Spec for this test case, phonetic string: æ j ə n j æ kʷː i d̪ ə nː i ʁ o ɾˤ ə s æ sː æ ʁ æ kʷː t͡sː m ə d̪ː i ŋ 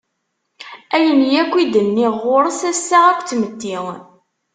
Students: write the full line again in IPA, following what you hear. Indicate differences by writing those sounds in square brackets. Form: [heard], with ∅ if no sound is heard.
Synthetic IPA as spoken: æ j ə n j æ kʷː i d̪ ə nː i ʁ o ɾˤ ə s æ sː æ ʁ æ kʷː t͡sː m ə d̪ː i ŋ